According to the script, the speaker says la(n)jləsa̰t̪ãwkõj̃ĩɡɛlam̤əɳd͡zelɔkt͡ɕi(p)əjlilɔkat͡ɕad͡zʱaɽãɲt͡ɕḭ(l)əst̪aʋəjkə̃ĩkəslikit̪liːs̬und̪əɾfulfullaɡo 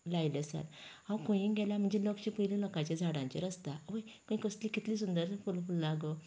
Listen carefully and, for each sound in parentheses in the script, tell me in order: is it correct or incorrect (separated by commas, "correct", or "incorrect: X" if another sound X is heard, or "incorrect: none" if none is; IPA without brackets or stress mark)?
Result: incorrect: none, correct, incorrect: ɾ